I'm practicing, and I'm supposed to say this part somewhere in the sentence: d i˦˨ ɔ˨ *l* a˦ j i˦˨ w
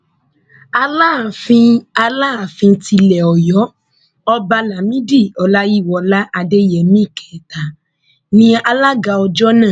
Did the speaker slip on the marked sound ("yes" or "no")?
no